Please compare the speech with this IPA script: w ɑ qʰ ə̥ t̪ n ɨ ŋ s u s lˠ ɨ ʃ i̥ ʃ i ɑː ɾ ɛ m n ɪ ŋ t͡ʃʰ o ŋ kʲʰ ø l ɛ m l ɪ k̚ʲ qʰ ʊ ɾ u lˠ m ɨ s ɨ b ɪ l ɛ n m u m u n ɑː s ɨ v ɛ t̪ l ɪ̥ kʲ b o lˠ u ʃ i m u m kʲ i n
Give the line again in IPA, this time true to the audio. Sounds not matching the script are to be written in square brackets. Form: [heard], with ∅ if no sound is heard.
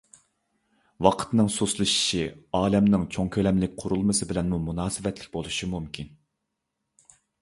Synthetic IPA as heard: w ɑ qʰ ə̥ t̪ n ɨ ŋ s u s lˠ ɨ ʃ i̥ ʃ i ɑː [l] ɛ m n ɪ ŋ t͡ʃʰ o ŋ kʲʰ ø l ɛ m l ɪ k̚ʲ qʰ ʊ ɾ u lˠ m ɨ s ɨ b ɪ l ɛ n m u m u n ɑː s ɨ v ɛ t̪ l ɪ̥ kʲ b o lˠ u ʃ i m u m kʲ i n